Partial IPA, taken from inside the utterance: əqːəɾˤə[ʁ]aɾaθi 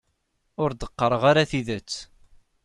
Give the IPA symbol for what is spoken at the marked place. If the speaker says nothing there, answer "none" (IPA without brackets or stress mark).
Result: ʁ